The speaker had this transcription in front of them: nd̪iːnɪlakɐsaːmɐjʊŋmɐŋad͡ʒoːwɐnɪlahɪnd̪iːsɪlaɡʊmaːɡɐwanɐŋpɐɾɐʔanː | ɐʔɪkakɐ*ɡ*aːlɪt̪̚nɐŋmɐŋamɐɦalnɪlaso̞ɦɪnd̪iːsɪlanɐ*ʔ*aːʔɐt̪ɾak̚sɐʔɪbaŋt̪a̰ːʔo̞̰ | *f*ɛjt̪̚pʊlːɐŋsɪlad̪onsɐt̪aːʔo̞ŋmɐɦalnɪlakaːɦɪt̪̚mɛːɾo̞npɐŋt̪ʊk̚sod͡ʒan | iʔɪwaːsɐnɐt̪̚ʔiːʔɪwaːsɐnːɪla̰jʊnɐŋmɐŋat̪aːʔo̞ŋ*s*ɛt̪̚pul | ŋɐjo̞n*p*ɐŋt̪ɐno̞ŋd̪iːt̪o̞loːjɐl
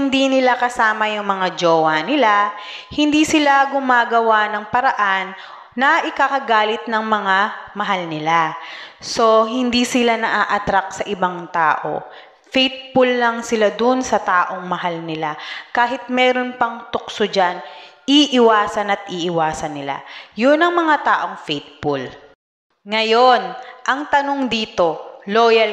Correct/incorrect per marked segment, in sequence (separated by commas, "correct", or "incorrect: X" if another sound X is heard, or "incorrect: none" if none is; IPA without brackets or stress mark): correct, correct, correct, incorrect: f, incorrect: ʔ